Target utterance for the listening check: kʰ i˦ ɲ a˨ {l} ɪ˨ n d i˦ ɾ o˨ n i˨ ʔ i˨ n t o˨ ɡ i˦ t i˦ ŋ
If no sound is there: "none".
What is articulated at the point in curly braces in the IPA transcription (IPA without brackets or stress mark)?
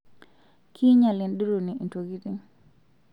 l